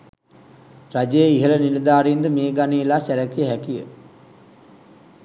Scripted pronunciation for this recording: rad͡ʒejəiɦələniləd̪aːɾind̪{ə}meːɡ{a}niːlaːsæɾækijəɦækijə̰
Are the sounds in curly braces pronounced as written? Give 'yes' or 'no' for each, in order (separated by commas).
yes, yes